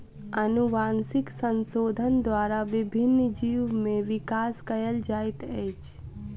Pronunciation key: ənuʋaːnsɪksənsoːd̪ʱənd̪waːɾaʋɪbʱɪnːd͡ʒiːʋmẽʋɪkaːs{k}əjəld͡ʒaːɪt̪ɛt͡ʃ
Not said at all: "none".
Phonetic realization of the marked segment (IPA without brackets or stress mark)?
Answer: k